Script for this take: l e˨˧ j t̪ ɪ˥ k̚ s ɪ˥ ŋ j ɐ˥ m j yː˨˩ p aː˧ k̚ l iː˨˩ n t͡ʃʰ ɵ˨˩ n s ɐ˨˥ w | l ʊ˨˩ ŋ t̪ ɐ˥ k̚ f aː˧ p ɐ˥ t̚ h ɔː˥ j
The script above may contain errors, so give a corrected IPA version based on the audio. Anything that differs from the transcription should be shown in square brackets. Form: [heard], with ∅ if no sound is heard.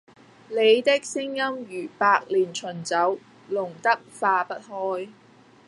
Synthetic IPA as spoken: l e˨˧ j t̪ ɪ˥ k̚ s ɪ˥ ŋ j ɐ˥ m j yː˨˩ p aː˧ k̚ l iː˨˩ n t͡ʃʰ ɵ˨˩ n [t͡s] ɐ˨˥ w | l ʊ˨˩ ŋ t̪ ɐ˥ k̚ f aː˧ p ɐ˥ t̚ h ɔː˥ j